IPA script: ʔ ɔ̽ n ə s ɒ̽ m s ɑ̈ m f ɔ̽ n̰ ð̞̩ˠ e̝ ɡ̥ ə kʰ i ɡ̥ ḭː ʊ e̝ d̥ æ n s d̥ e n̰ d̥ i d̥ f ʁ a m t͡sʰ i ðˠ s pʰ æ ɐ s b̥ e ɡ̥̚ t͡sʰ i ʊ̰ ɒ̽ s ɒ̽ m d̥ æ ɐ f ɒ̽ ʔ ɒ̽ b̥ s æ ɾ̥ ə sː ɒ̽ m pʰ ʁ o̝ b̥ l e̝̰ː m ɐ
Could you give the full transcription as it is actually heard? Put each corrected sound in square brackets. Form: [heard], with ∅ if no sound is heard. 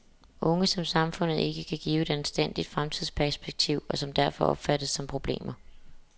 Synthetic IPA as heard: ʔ ɔ̽ [ŋ] ə s ɒ̽ m s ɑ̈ m f ɔ̽ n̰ ð̞̩ˠ e̝ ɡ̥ ə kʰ [æ] ɡ̥ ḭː ʊ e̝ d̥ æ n s d̥ e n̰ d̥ i d̥ f ʁ a m t͡sʰ i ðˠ s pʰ æ ɐ s b̥ e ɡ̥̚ t͡sʰ i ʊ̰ ɒ̽ s ɒ̽ m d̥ æ ɐ f ɒ̽ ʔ ɒ̽ b̥ [f] æ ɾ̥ ə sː ɒ̽ m pʰ ʁ o̝ b̥ l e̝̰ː m ɐ